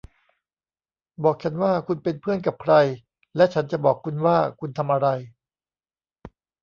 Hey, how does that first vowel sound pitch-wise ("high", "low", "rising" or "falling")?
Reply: low